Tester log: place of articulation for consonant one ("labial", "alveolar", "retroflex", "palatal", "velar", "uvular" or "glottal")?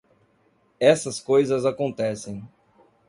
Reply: alveolar